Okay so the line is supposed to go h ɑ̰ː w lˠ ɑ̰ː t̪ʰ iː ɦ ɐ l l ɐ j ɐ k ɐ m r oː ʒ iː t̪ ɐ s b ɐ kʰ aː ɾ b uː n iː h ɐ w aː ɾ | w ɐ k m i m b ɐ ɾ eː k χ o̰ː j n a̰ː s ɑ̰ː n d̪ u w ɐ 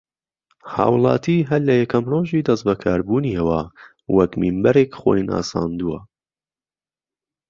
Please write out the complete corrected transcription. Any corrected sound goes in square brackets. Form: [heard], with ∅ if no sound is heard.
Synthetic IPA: h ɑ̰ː w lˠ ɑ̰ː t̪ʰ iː ɦ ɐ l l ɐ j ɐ k ɐ m r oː ʒ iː [d̪] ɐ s b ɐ kʰ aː ɾ b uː n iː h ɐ w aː [∅] | w ɐ k m i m b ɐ ɾ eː k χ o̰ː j n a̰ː s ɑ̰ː n d̪ u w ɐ